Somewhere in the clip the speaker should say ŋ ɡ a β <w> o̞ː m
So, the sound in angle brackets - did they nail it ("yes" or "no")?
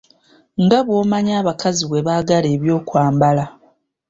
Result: yes